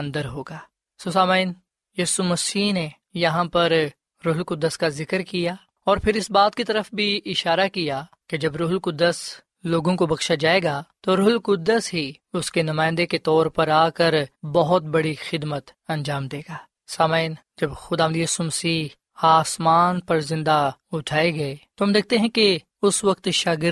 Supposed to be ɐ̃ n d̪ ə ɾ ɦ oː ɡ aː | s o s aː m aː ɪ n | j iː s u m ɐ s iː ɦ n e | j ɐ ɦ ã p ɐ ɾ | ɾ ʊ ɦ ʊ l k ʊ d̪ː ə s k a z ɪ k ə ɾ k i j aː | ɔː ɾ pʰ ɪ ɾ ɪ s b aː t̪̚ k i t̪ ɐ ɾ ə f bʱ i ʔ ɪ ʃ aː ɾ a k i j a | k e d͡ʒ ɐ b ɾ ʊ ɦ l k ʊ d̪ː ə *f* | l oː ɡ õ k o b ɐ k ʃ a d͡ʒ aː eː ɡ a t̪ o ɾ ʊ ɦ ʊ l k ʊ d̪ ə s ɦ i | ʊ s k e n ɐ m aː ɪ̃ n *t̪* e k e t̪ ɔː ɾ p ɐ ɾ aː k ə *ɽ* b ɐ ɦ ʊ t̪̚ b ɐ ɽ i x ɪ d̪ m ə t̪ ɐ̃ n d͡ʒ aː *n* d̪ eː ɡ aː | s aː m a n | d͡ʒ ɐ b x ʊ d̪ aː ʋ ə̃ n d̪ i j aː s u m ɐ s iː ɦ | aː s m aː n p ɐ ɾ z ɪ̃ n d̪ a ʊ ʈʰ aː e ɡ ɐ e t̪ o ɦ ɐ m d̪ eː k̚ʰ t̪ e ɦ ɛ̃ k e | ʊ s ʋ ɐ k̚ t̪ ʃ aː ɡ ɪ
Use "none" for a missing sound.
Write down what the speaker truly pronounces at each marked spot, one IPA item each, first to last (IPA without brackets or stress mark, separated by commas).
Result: s, d̪, ɾ, m